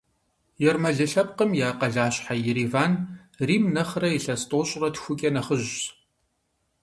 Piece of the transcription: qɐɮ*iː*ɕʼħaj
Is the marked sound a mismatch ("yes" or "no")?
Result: yes